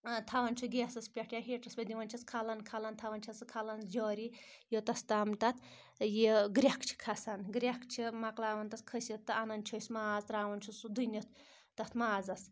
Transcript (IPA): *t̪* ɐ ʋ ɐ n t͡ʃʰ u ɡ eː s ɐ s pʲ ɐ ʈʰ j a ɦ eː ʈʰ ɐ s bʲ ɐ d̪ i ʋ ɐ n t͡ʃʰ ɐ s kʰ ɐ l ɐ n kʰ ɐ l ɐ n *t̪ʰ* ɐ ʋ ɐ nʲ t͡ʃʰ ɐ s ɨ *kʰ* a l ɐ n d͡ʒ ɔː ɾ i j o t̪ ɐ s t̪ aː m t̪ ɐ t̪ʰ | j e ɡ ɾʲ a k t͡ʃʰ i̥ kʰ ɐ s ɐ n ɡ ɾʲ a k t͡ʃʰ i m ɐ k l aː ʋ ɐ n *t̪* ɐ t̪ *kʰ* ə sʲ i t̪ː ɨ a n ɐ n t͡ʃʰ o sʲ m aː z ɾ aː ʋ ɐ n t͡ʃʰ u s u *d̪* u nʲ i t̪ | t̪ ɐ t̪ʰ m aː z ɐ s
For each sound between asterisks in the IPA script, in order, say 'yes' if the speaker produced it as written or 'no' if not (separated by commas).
no, yes, yes, yes, yes, yes